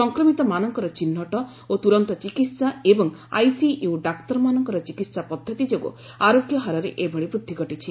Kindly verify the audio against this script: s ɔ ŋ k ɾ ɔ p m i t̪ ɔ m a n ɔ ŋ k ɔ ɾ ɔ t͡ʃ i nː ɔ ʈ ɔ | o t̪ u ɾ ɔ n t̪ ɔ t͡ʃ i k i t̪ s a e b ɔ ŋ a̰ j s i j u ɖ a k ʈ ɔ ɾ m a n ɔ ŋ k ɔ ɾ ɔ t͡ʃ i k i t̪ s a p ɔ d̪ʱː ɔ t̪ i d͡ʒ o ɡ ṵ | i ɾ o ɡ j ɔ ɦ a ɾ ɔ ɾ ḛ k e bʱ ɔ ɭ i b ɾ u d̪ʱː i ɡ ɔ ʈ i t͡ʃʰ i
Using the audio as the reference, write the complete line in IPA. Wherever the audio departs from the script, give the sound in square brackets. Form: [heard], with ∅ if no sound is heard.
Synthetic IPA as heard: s ɔ ŋ k ɾ ɔ [∅] m i t̪ ɔ m a n ɔ ŋ k ɔ ɾ ɔ t͡ʃ i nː ɔ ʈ ɔ | o t̪ u ɾ ɔ n t̪ ɔ t͡ʃ i k i t̪ s a e b ɔ ŋ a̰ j s i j u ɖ a k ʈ ɔ ɾ m a n ɔ ŋ k ɔ ɾ ɔ t͡ʃ i k i t̪ s a p ɔ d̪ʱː ɔ t̪ i d͡ʒ o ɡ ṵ | [a] ɾ o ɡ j ɔ ɦ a ɾ ɔ ɾ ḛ [ʔ] e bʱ ɔ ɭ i b ɾ u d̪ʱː i ɡ ɔ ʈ i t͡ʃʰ i